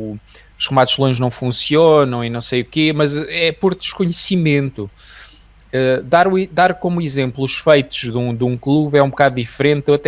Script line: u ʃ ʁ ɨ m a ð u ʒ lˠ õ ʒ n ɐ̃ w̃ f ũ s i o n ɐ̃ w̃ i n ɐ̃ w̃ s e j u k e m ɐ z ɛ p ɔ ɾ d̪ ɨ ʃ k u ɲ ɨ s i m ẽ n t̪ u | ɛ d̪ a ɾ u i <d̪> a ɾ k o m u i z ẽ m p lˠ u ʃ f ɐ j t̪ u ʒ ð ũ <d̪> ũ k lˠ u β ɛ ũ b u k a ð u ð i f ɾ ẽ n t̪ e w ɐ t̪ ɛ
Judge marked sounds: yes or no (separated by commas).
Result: yes, yes